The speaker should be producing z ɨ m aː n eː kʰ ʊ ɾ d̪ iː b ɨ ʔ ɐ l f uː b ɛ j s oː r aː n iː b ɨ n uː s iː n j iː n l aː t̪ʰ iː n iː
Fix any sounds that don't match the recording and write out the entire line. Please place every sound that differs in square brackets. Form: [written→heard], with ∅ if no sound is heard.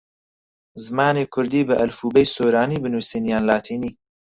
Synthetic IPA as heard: z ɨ m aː n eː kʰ ʊ ɾ d̪ iː b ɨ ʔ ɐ l f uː b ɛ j s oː [r→ɾ] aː n iː b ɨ n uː s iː n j [iː→aː] n l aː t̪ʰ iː n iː